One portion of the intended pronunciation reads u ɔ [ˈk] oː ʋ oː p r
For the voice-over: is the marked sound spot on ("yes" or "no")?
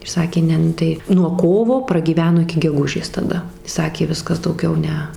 yes